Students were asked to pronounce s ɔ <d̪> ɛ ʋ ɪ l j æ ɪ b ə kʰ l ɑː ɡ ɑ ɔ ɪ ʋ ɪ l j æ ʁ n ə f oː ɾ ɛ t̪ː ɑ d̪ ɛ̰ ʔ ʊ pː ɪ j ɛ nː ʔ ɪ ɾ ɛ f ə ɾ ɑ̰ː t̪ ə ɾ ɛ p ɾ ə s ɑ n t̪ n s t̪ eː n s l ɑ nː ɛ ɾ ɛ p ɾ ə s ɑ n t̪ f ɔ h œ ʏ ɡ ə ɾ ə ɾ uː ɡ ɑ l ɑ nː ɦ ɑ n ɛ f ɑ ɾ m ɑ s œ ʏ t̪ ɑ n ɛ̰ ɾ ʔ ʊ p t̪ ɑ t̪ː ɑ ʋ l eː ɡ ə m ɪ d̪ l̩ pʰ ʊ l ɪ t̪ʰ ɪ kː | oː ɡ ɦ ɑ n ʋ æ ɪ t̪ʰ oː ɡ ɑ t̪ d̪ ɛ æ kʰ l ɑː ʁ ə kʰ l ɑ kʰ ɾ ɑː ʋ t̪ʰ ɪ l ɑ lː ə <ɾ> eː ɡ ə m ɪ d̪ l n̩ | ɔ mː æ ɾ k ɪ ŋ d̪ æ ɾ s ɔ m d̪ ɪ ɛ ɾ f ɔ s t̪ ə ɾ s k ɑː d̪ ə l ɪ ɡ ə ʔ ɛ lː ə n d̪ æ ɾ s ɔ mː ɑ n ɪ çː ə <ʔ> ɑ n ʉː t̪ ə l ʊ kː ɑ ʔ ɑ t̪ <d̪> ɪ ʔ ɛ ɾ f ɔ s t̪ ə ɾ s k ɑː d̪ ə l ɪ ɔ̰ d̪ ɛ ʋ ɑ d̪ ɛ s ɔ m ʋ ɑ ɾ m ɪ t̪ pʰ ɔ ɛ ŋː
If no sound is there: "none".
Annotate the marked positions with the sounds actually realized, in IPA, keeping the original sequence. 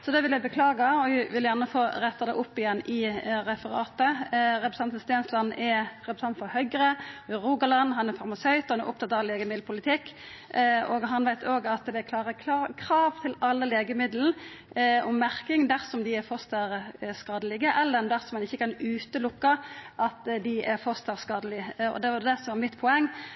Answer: d̪, l, k, d̪

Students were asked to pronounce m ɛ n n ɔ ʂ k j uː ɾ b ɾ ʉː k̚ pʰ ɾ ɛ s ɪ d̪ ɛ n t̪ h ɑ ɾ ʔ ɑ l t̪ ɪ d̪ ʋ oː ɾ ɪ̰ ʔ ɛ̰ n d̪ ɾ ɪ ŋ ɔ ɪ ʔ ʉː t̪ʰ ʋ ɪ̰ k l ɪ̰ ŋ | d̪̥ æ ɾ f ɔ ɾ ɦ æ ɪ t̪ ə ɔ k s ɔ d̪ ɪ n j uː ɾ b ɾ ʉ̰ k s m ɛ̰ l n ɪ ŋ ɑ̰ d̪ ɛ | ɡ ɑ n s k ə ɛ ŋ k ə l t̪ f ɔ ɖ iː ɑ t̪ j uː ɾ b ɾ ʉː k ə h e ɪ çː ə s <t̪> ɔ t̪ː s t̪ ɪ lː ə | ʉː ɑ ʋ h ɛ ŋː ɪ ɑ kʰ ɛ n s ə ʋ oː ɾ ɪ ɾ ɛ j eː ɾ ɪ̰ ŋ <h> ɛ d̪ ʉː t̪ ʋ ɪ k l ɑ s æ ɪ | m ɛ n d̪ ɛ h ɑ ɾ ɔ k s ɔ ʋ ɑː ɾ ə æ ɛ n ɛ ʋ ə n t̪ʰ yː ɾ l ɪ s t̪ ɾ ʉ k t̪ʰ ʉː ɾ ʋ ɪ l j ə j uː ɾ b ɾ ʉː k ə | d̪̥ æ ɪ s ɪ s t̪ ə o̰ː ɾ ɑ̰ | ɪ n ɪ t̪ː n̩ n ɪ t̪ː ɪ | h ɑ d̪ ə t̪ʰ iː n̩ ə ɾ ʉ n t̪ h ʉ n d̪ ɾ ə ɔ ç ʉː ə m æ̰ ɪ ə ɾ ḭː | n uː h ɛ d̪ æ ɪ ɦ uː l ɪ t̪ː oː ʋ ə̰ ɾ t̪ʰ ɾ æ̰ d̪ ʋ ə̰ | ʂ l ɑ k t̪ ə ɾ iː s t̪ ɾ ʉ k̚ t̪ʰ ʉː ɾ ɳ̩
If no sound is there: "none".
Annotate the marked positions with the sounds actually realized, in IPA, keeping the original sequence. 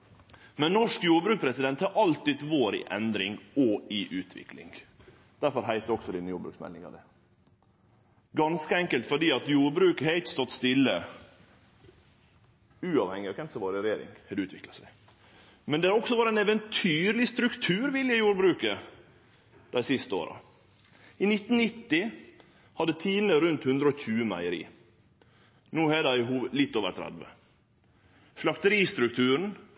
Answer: t̪, h

